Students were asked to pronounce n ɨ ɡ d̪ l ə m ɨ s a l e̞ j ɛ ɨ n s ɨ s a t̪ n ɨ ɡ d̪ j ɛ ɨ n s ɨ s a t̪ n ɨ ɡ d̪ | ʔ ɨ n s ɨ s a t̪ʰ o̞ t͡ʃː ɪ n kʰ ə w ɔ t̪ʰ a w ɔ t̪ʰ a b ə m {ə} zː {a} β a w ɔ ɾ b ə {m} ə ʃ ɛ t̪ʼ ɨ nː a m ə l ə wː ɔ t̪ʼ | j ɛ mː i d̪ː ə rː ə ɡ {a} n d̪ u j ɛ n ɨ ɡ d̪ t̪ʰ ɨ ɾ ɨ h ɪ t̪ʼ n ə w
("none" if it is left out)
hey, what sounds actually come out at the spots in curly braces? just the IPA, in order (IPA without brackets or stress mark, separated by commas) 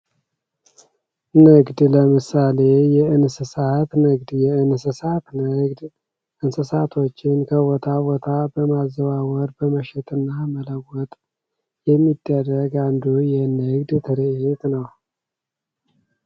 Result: a, ə, m, a